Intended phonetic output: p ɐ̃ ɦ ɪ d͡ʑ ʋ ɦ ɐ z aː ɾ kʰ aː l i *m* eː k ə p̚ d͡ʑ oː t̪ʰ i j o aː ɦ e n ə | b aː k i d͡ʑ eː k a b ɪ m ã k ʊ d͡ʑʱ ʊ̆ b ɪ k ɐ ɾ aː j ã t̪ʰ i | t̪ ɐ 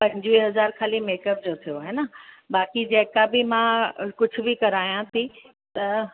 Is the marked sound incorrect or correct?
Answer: correct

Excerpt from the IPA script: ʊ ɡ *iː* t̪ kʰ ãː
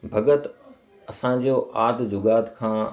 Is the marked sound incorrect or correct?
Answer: incorrect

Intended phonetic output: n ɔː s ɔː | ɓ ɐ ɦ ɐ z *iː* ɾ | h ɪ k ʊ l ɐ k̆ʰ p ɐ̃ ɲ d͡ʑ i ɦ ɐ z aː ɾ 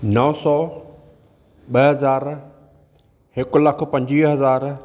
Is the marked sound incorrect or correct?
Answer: incorrect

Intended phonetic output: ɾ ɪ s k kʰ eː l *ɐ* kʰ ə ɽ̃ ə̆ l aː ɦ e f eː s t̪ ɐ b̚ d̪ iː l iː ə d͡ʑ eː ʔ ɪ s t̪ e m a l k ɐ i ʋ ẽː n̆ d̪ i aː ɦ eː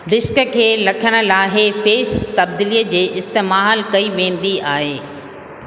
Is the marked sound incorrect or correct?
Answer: correct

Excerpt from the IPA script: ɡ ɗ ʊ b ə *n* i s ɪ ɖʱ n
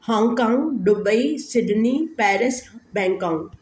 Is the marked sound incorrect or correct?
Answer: incorrect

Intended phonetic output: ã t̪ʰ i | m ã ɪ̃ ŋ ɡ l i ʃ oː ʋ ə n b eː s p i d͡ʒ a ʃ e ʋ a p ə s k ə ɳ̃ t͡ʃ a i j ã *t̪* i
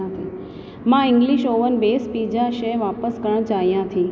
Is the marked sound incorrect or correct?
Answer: incorrect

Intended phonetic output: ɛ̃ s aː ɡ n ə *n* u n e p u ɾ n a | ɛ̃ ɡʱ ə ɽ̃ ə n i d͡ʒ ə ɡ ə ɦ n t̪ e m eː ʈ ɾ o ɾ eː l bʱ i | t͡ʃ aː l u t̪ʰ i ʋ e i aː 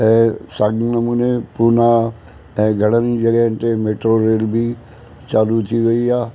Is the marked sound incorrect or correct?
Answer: incorrect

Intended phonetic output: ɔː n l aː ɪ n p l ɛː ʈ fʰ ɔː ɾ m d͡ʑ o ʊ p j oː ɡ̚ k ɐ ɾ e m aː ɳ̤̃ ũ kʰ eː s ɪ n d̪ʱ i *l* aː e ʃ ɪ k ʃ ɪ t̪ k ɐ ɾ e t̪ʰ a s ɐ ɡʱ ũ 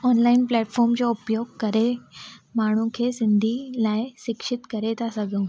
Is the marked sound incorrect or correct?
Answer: correct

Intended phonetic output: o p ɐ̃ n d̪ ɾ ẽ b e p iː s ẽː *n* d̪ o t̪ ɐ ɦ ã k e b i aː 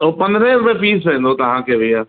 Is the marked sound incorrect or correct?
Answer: correct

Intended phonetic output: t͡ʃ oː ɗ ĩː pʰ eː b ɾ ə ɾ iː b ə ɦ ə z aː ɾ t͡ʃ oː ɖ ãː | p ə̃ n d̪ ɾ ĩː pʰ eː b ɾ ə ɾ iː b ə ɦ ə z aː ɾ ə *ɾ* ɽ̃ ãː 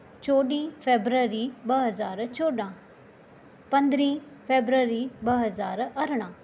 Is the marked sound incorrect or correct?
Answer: correct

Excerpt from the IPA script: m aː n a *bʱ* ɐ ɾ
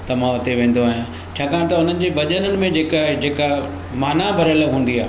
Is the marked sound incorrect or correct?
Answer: correct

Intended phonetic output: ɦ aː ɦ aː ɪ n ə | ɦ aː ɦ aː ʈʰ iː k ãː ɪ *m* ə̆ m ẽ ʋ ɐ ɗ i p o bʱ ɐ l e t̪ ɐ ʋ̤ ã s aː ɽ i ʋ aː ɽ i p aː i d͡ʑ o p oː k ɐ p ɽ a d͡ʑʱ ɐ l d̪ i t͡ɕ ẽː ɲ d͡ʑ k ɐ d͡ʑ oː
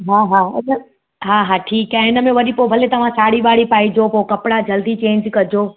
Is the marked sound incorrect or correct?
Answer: incorrect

